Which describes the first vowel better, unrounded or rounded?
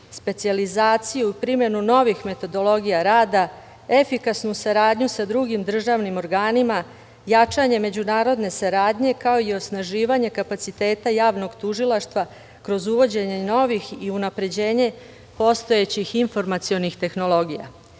unrounded